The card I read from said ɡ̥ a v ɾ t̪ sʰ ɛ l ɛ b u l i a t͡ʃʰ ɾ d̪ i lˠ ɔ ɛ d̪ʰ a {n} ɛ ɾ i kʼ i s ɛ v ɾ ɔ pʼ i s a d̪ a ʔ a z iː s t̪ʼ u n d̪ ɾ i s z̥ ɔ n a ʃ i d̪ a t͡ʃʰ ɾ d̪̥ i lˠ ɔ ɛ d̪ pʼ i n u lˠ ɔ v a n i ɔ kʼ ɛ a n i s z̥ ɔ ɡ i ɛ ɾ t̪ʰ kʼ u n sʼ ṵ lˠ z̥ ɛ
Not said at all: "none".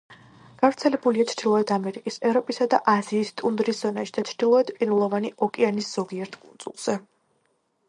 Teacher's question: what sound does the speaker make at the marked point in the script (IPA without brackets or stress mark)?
m